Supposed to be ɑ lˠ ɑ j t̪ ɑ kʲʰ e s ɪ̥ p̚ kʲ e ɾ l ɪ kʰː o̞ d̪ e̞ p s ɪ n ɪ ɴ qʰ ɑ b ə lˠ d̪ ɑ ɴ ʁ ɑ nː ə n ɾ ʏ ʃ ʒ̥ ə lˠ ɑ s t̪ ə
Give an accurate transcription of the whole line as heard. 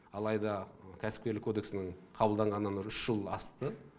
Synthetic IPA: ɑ lˠ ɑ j d̪ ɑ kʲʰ æ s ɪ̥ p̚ kʲ e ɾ l ɪ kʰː o̞ d̪ e̞ k s ɪ n ɪ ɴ qʰ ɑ b ə lˠ d̪ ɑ ɴ ʁ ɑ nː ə n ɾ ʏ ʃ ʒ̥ ə lˠ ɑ s t̪ ə